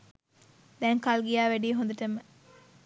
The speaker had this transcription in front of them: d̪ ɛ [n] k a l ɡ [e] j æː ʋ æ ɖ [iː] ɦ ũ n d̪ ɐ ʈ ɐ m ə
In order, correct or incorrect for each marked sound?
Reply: incorrect: ŋ, incorrect: i, correct

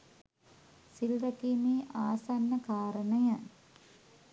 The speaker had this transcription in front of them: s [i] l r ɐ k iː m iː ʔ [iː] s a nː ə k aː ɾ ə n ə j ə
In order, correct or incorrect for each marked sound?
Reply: correct, incorrect: aː

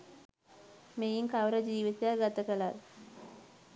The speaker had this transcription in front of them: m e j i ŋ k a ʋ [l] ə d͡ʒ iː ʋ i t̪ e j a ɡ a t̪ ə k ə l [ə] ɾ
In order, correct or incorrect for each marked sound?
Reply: incorrect: ɾ, incorrect: a

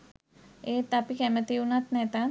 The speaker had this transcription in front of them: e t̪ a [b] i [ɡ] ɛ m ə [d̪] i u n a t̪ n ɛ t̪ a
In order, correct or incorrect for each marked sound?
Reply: incorrect: p, incorrect: k, incorrect: t̪

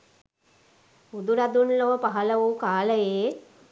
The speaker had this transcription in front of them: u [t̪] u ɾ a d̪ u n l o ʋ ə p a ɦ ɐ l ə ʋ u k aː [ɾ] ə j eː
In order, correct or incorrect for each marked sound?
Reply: incorrect: d̪, incorrect: l

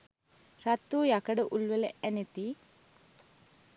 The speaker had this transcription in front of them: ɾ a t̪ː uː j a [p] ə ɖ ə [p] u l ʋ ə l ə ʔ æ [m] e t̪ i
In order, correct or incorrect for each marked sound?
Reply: incorrect: k, incorrect: ʔ, incorrect: n

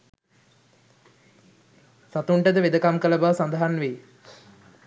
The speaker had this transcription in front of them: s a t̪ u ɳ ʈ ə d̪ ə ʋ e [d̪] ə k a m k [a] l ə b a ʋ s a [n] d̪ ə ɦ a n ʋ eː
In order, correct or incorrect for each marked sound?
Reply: correct, incorrect: ə, correct

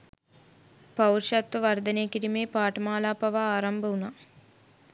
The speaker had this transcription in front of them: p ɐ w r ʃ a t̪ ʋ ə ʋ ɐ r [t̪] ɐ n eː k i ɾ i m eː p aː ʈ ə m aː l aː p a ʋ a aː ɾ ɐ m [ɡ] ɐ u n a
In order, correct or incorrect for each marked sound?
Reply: incorrect: d̪, incorrect: b

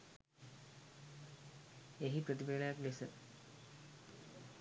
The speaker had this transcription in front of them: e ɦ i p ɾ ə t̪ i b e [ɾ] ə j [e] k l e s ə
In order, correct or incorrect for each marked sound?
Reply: incorrect: l, incorrect: a

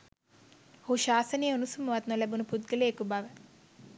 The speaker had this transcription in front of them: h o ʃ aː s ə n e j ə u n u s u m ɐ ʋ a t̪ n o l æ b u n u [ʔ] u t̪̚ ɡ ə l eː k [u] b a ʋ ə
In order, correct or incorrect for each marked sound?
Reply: incorrect: p, correct

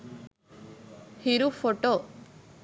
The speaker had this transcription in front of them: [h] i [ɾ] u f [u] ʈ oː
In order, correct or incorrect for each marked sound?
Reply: correct, correct, incorrect: o

